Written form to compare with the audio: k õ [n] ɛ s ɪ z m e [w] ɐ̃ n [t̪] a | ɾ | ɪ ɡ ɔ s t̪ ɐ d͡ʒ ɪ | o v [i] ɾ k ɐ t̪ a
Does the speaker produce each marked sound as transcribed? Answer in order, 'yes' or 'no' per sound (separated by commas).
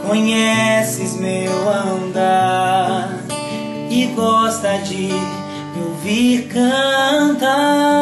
no, yes, no, yes